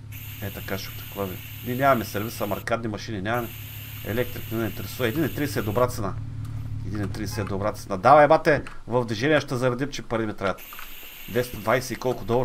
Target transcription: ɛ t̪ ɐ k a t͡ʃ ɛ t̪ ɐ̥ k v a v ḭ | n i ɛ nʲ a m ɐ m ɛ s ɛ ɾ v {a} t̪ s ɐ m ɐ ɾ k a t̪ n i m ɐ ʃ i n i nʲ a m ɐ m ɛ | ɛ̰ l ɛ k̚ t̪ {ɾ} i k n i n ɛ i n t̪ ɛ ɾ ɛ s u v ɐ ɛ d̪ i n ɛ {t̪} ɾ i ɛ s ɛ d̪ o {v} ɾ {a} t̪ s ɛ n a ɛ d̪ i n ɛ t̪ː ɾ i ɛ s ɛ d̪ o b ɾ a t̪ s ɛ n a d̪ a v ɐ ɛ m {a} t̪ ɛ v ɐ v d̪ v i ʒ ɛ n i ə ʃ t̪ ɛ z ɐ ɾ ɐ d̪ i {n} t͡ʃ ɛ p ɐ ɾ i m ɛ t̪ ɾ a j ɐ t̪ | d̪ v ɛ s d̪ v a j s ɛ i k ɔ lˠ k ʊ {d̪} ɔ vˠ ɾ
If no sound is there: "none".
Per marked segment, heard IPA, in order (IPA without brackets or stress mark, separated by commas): i, ɾ, t̪, b, a, a, m, d̪